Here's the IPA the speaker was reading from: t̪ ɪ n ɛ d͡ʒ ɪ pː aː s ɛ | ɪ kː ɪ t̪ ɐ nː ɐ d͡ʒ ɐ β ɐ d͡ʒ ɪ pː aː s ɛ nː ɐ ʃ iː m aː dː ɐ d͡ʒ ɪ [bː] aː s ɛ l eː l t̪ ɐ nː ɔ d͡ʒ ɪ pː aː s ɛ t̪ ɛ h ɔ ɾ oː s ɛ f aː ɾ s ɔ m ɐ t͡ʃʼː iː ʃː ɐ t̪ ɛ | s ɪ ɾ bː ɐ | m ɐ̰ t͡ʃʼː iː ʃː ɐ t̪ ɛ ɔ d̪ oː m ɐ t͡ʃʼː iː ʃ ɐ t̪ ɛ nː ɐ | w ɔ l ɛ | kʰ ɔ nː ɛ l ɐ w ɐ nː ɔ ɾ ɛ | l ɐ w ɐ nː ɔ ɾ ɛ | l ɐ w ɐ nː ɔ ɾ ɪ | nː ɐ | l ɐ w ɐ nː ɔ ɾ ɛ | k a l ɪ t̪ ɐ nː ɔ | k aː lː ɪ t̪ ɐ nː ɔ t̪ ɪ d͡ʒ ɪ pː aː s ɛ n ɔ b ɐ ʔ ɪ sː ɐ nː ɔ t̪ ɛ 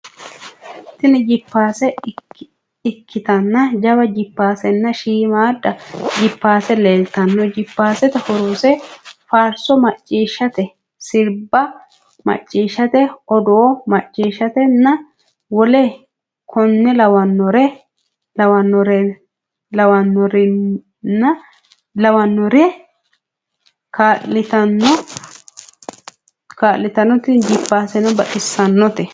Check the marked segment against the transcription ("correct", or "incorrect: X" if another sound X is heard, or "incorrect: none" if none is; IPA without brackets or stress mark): incorrect: pː